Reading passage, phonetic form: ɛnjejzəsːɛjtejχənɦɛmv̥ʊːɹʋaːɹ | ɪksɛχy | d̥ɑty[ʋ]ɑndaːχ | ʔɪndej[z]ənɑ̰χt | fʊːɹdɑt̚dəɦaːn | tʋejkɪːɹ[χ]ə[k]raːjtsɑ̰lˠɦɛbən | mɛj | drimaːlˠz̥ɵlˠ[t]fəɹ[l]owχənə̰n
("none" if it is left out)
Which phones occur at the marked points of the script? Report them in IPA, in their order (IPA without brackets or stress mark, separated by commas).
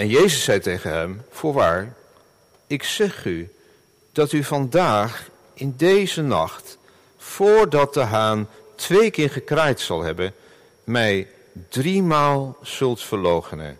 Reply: v, z, χ, k, t, l